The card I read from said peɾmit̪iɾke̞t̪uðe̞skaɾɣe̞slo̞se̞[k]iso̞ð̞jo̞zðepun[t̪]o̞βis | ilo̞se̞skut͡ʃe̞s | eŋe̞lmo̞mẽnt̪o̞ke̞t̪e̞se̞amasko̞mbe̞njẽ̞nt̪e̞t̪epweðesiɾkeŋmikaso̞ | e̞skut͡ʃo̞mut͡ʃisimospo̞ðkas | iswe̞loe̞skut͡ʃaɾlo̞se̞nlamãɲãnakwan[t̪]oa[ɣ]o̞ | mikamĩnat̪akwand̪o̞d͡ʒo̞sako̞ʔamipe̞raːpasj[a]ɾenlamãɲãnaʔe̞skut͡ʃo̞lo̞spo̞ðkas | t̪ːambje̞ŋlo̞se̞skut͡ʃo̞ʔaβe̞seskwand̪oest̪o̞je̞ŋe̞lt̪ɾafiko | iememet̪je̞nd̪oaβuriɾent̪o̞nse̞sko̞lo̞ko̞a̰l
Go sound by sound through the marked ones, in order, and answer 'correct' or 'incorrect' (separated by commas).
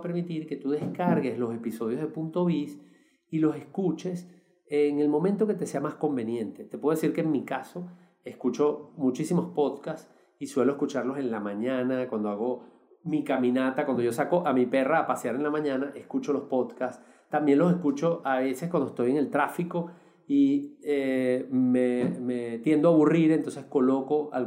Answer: incorrect, correct, incorrect, correct, correct